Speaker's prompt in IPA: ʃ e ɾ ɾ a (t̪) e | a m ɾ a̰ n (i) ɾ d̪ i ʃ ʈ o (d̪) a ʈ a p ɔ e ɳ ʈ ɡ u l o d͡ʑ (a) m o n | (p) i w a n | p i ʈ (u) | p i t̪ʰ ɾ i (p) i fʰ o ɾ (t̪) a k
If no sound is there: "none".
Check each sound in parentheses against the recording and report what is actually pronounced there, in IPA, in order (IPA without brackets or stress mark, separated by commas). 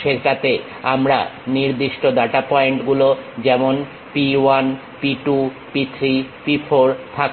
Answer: t̪, i, d̪, ɛ, p, u, p, t̪ʰ